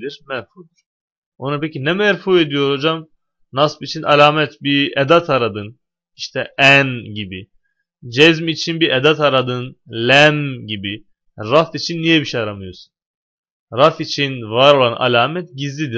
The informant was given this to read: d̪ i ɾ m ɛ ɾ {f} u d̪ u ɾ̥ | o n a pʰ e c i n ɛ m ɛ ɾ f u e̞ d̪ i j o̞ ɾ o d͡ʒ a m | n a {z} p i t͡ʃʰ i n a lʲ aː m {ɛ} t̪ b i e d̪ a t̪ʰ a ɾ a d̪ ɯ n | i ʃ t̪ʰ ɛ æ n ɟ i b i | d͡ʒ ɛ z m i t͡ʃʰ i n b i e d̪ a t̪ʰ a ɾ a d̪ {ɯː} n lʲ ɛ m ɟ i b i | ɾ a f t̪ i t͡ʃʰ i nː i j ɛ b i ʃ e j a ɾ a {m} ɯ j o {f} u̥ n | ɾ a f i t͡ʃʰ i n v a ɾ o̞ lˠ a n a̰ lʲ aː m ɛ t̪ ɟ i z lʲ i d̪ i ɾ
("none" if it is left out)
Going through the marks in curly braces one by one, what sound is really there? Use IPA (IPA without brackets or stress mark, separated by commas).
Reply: f, s, ɛ, ɯ, m, s